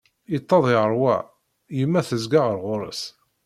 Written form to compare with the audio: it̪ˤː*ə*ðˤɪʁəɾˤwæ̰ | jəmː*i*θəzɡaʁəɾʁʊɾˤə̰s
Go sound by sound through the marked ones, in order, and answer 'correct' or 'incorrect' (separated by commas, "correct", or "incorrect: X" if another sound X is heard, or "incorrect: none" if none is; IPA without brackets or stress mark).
incorrect: ɑ, incorrect: æ